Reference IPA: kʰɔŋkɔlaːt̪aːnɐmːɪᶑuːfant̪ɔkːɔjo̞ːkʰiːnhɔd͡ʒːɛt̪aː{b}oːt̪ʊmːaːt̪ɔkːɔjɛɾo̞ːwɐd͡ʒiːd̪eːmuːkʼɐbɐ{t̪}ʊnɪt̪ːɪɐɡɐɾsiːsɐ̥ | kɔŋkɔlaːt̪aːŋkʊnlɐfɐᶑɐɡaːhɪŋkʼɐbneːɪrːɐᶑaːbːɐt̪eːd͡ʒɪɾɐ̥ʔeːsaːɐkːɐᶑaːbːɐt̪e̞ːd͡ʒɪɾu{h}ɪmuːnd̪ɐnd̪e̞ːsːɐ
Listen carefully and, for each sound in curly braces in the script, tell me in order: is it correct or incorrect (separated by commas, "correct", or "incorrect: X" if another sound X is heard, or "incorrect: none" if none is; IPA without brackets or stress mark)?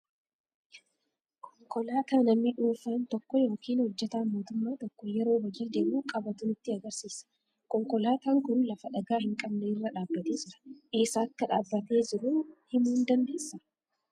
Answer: incorrect: m, correct, correct